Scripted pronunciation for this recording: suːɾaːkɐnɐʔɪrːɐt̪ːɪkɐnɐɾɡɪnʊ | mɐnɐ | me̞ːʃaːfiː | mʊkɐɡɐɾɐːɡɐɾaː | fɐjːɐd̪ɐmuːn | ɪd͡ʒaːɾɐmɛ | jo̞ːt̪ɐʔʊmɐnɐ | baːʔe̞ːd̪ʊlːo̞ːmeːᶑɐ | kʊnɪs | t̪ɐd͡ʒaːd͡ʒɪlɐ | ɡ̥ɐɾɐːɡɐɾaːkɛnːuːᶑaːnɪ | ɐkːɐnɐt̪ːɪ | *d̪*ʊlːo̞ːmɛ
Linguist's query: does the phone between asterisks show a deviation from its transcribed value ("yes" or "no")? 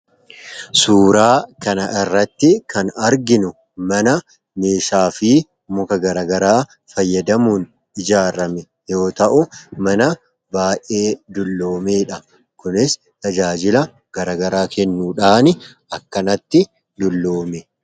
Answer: no